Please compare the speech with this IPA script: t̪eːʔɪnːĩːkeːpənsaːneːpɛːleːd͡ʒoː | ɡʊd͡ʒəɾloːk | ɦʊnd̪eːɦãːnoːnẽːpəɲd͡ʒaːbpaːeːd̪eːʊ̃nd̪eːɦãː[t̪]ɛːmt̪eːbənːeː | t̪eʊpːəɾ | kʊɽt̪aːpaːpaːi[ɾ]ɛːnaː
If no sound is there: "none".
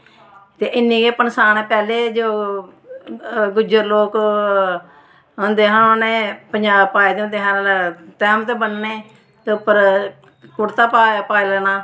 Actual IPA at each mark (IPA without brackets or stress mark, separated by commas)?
t̪, l